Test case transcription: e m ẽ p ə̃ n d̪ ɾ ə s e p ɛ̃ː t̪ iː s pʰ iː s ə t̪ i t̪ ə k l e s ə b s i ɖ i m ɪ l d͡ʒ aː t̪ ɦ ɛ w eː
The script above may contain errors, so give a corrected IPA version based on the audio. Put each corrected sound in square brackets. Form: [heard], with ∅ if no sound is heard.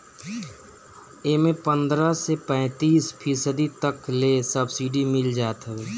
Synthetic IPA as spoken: e m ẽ p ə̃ n d̪ ɾ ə s e p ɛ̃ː t̪ iː s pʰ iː s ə [d̪] i t̪ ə k l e s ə b s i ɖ i m ɪ l d͡ʒ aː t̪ ɦ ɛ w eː